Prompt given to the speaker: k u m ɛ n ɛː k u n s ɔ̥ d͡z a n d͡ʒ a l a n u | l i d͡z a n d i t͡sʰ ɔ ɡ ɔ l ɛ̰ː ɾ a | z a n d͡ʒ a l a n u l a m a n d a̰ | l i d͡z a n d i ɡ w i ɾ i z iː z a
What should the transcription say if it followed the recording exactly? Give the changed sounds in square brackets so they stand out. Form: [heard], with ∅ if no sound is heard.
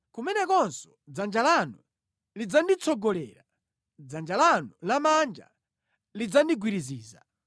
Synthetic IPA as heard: k u m ɛ n [ɛ] k [ɔ] n s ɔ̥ d͡z a n d͡ʒ a l a n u | l i d͡z a n d i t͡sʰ ɔ ɡ ɔ l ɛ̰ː ɾ a | [d͡z] a n d͡ʒ a l a n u l a m a n [d͡ʒ] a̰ | l i d͡z a n d i ɡ w i ɾ i z iː z a

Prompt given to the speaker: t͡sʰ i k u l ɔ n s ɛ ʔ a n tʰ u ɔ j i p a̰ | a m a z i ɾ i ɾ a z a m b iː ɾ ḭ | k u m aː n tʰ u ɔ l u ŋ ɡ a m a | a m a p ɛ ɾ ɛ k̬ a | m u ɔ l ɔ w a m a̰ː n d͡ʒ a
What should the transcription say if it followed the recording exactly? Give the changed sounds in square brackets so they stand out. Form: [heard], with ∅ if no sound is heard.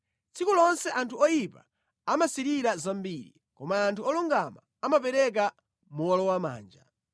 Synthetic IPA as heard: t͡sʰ i k u l ɔ n s ɛ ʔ a n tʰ u ɔ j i p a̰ | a m a [s] i ɾ i ɾ a z a m b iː ɾ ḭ | k [ɔ] m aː n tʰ u ɔ l u ŋ ɡ a m a | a m a p ɛ ɾ ɛ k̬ a | m u ɔ l ɔ w a m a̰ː n d͡ʒ a

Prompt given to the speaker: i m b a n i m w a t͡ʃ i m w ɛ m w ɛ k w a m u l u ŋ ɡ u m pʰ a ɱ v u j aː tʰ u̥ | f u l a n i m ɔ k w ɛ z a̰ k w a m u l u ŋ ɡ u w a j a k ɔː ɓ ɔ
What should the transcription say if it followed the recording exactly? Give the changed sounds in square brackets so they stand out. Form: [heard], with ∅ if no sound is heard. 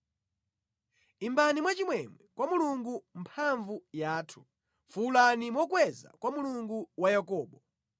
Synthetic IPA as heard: i m b a n i m w a t͡ʃ i m w ɛ m w ɛ k w a m u l u ŋ ɡ u m pʰ a ɱ v u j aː tʰ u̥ | f u l a n i m ɔ k w ɛ z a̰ k w a m u l u ŋ ɡ u w a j a k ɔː ɓ ɔ

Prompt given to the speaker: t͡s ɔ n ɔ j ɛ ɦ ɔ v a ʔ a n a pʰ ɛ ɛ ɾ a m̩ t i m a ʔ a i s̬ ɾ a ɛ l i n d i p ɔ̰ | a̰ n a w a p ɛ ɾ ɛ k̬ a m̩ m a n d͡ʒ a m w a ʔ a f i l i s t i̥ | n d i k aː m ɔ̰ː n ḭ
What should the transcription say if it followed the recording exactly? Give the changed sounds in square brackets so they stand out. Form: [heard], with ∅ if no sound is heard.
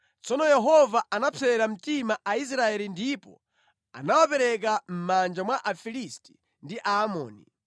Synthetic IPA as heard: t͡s ɔ n ɔ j ɛ ɦ ɔ v a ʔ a n a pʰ ɛ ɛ ɾ a m̩ t i m a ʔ a i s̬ ɾ a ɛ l i n d i p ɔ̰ | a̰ n a w a p ɛ ɾ ɛ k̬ a m̩ m a n d͡ʒ a m w a ʔ a f i l i s t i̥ | n d i [ʔ] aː m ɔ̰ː n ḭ

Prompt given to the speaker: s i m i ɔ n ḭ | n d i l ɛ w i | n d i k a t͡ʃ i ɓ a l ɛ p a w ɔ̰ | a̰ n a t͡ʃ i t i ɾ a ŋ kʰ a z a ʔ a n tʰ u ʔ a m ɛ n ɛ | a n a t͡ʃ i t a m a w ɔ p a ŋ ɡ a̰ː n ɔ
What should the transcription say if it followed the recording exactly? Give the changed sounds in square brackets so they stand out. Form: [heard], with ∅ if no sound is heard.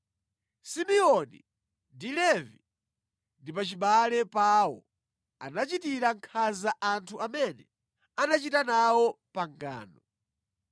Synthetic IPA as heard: s i m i ɔ n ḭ | n d i l ɛ [v] i | n d i [p] a t͡ʃ i ɓ a l ɛ p a w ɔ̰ | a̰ n a t͡ʃ i t i ɾ a ŋ kʰ a z a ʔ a n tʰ u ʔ a m ɛ n ɛ | a n a t͡ʃ i t a [n] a w ɔ p a ŋ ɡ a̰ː n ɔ

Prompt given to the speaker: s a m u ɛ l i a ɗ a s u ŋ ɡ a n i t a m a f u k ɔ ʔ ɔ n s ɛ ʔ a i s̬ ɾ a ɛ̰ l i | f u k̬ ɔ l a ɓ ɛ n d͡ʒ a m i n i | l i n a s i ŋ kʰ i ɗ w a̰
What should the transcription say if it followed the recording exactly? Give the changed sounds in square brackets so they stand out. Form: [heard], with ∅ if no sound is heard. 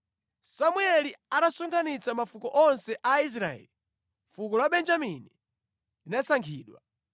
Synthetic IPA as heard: s a m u ɛ l i a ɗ a s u ŋ ɡ a n i [t͡s] a m a f u k ɔ ʔ ɔ n s ɛ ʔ a i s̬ ɾ a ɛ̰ l i | f u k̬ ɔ l a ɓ ɛ n d͡ʒ a m i n i | l i n a s [a] ŋ kʰ [iː] ɗ w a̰

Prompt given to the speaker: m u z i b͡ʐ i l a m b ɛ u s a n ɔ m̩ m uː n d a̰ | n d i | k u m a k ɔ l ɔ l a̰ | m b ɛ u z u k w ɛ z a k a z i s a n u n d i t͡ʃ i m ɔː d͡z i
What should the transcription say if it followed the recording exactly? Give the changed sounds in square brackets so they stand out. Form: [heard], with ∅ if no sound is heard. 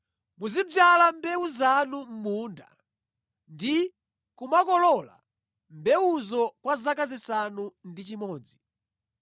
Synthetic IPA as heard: m u z i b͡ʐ [a] l a m b ɛ u [z] a n [u] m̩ m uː n d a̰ | n d i | k u m a k ɔ l ɔ l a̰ | m b ɛ u z [ɔ] k w [a] z a k a z i s a n u n d i t͡ʃ i m ɔː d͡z i

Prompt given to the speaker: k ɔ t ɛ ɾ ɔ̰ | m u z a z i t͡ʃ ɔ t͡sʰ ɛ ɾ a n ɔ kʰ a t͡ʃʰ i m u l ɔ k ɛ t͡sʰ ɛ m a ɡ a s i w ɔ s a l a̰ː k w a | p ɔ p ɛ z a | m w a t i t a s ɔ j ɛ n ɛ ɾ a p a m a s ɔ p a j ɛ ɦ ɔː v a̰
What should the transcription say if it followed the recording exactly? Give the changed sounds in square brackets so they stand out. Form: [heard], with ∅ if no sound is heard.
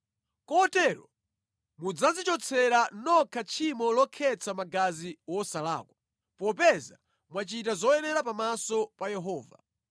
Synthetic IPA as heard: k ɔ t ɛ ɾ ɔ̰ | m u [d͡z] a z i t͡ʃ ɔ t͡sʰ ɛ ɾ a n ɔ kʰ a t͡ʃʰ i m [ɔ] l ɔ [kʰ] ɛ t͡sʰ [a] m a ɡ a [z] i w ɔ s a l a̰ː k w a | p ɔ p ɛ z a | m w a [t͡ʃ] i t a [z] ɔ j ɛ n ɛ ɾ a p a m a s ɔ p a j ɛ ɦ ɔː v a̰

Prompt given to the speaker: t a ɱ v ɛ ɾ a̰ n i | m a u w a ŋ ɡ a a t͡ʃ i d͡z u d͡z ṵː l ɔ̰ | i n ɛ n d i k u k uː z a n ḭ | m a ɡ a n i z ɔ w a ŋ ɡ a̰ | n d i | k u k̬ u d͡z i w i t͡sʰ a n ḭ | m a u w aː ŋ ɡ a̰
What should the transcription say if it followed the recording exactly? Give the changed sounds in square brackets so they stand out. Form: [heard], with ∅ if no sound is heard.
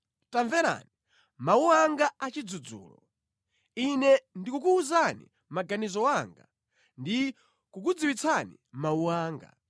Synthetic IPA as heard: t a ɱ v ɛ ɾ a̰ n i | m a u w a ŋ ɡ a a t͡ʃ i d͡z u d͡z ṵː l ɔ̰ | i n ɛ n d i k u k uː z a n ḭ | m a ɡ a n i z ɔ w a ŋ ɡ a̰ | n d i | k u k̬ u d͡z i w i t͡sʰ a n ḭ | m a u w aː ŋ ɡ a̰

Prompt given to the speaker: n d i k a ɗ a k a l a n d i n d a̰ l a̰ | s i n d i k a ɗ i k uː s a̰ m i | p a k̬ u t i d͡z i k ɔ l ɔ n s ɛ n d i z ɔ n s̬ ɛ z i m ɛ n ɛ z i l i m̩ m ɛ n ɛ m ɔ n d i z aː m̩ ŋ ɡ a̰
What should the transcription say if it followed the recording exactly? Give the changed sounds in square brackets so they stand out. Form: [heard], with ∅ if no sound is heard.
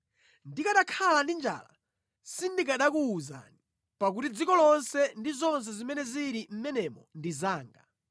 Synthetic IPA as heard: n d i k a ɗ a [kʰ] a l a n d i n [d͡ʒ] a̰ l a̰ | s i n d i k a ɗ [a] k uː [z] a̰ [n] i | p a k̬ u t i d͡z i k ɔ l ɔ n s ɛ n d i z ɔ n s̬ ɛ z i m ɛ n ɛ z i [ɾ] i m̩ m ɛ n ɛ m ɔ n d i z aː [∅] ŋ ɡ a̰

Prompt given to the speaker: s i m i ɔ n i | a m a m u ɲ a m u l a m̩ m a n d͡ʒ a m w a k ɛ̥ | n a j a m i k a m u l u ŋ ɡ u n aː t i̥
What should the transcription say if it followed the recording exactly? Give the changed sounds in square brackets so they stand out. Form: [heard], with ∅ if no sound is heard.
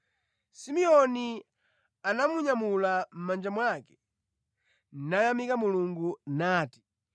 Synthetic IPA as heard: s i m i ɔ n i | a [n] a m u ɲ a m u l a m̩ m a n d͡ʒ a m w a k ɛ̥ | n a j a m i k a m u l u ŋ ɡ u n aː t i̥

